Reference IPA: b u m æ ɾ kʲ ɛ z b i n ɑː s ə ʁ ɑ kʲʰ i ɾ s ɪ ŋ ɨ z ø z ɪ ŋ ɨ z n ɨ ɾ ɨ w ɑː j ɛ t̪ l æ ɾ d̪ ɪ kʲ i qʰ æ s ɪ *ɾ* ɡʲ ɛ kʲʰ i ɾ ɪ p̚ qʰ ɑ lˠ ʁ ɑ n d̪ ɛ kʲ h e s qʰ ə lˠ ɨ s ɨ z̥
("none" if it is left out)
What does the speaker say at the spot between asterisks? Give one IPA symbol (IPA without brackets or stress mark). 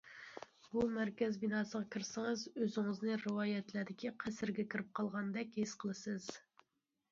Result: ɾ